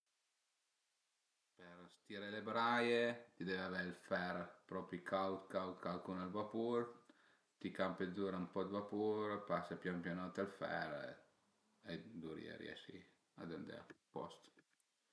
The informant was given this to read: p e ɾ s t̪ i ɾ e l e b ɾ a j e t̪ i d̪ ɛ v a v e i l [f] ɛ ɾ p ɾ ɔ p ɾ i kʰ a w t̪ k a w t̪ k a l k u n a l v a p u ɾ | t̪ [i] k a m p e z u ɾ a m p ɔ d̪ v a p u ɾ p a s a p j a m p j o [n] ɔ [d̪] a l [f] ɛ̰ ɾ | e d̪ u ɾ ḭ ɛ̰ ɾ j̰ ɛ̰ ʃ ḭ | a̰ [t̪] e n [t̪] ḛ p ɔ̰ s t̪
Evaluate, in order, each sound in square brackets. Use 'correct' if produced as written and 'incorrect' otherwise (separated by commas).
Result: correct, correct, correct, incorrect, correct, incorrect, incorrect